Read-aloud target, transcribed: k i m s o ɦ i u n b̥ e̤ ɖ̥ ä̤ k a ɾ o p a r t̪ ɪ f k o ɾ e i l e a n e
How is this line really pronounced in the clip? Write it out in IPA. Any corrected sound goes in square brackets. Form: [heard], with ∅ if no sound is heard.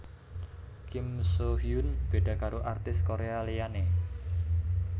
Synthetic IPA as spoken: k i m s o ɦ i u n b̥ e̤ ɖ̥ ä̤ k a ɾ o [ʔ] a r t̪ ɪ [s] k o ɾ e [a] l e a n e